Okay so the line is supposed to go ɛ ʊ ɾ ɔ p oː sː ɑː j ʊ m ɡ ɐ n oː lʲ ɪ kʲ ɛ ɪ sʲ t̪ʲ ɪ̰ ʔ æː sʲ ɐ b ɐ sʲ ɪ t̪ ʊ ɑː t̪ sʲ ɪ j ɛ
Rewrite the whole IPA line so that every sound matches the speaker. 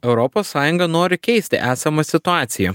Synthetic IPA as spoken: ɛ ʊ ɾ ɔ p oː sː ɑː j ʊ ŋ ɡ ɐ n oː ɾʲ ɪ kʲ ɛ ɪ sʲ t̪ʲ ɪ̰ ʔ æː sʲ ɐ m ɐ sʲ ɪ t̪ ʊ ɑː t̪ sʲ ɪ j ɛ

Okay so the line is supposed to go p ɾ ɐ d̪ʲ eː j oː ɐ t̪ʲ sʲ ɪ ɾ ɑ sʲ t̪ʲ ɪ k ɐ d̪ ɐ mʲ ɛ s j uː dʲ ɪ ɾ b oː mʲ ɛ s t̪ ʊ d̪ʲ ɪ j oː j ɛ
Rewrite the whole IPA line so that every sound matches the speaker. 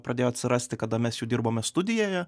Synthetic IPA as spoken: p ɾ ɐ d̪ʲ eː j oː ɐ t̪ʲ sʲ ɪ ɾ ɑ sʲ t̪ʲ ɪ k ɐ d̪ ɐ mʲ ɛ s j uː dʲ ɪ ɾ b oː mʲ ɛ s t̪ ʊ d̪ʲ ɪ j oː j ɛ

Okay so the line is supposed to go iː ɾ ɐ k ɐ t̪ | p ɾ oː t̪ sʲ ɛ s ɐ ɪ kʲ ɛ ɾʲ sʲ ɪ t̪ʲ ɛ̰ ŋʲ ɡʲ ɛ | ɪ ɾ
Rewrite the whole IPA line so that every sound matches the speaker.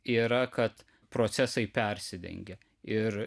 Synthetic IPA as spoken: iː ɾ ɐ k ɐ t̪ | p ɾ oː t̪ sʲ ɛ s ɐ ɪ pʲ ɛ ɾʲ sʲ ɪ d̪ʲ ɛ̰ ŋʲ ɡʲ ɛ | ɪ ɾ

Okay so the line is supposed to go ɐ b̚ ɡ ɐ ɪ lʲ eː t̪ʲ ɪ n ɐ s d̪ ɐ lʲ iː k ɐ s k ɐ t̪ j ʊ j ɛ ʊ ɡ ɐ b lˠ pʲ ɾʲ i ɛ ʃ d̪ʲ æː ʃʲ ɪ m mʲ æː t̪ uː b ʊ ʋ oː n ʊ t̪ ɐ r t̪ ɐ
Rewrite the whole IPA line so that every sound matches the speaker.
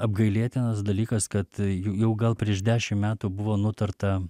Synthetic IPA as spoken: ɐ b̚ ɡ ɐ ɪ lʲ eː t̪ʲ ɪ n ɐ s d̪ ɐ lʲ iː k ɐ s k ɐ t̪ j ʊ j ɛ ʊ ɡ ɐ lˠ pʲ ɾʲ i ɛ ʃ d̪ʲ æː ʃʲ ɪ m mʲ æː t̪ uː b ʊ ʋ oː n ʊ t̪ ɐ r t̪ ɐ

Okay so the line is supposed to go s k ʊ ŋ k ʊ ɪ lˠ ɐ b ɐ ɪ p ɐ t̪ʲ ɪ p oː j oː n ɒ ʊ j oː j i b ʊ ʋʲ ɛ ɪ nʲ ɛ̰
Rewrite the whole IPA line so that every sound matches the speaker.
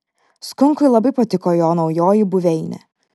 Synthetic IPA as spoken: s k ʊ ŋ k ʊ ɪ lˠ ɐ b ɐ ɪ p ɐ t̪ʲ ɪ k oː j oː n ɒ ʊ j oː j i b ʊ ʋʲ ɛ ɪ nʲ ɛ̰

